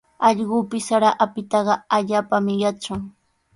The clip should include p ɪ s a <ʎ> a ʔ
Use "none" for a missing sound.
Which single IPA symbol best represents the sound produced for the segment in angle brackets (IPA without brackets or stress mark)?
ɾ